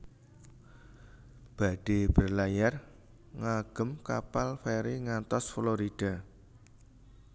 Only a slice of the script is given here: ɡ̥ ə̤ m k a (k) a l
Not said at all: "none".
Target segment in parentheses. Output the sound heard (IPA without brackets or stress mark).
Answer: p